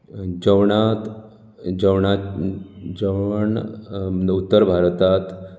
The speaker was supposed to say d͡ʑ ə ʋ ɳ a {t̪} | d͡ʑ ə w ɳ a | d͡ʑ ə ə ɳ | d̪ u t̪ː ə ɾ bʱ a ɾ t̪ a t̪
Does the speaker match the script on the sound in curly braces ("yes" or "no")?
yes